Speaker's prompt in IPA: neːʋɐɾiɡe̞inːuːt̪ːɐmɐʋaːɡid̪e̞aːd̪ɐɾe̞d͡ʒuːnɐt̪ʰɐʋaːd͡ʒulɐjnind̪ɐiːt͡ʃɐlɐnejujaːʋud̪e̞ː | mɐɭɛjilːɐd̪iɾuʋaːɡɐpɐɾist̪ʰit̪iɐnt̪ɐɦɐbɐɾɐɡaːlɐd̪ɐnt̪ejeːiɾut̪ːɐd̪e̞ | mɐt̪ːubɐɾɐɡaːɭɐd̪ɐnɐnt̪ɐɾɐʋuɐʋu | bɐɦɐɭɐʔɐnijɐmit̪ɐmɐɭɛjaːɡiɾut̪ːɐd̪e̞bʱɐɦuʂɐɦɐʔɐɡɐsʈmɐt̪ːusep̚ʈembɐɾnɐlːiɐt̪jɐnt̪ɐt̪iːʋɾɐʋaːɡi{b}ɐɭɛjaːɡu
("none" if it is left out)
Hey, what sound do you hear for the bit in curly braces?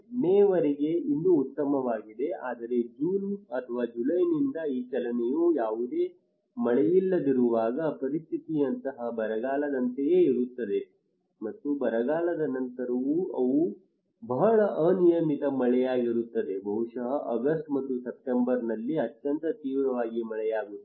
m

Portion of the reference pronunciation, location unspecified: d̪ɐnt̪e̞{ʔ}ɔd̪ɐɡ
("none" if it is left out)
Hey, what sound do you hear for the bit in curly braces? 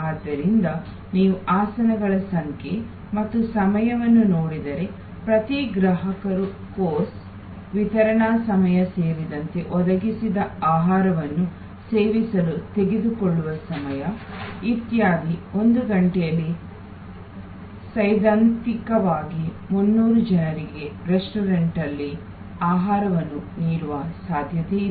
ʔ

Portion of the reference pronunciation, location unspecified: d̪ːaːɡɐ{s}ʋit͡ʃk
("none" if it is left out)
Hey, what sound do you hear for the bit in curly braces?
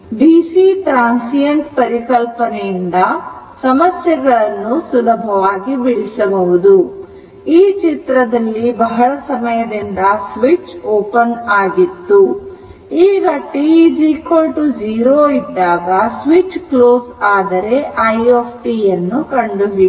s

